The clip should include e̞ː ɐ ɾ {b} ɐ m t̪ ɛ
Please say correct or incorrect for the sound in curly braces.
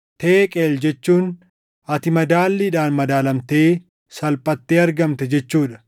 incorrect